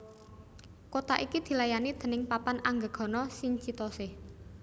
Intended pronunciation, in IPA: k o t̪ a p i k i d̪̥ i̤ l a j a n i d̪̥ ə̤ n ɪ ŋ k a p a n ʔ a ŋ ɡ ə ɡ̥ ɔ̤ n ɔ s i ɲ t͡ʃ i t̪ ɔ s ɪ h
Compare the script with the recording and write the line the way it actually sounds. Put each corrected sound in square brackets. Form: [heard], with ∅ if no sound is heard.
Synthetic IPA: k o t̪ a [ʔ] i k i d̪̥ i̤ l a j a n i d̪̥ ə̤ n ɪ ŋ [p] a p a n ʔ a ŋ ɡ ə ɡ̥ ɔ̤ n ɔ s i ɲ t͡ʃ i t̪ ɔ s ɪ h